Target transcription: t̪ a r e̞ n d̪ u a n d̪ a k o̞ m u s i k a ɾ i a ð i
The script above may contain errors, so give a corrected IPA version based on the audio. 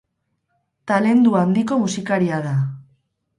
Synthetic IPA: t̪ a l e̞ n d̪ u a n d̪ i k o̞ m u s i k a ɾ i a ð a